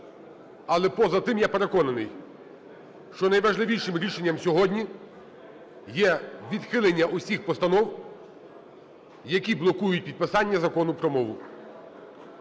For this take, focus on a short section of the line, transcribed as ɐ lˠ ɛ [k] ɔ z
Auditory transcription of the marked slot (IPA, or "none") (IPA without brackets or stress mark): p